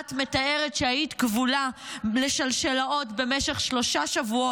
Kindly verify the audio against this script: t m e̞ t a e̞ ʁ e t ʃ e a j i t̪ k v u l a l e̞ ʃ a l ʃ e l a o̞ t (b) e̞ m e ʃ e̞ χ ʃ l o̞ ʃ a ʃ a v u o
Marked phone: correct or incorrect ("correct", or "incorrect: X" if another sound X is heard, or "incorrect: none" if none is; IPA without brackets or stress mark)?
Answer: correct